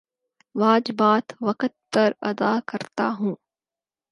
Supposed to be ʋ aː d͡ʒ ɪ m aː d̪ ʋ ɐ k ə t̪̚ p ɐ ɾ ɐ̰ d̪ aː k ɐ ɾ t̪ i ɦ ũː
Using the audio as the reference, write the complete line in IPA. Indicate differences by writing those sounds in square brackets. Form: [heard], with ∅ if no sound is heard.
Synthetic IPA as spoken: ʋ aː d͡ʒ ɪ [b] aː [t̪] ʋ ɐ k ə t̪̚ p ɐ ɾ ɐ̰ d̪ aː k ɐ ɾ t̪ [a] ɦ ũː